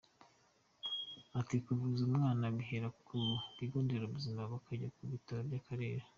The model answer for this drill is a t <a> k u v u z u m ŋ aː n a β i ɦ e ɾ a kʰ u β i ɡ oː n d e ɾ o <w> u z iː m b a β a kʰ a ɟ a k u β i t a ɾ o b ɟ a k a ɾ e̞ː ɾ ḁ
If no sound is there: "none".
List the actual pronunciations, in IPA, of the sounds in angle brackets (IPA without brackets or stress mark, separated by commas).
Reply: i, β